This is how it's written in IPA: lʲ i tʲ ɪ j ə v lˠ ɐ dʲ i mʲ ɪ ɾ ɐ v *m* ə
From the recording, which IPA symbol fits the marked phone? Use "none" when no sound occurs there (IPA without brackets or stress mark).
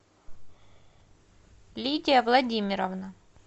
n